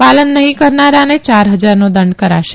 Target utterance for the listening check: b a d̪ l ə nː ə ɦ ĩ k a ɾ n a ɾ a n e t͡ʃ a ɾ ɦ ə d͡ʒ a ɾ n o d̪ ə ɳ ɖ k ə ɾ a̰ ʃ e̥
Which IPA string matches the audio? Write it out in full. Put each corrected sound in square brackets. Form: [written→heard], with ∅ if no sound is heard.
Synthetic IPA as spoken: [b→p] a [d̪→∅] l ə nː ə ɦ ĩ k [a→ə] ɾ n a ɾ a n e t͡ʃ a ɾ ɦ ə d͡ʒ a ɾ n o d̪ ə ɳ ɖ k ə ɾ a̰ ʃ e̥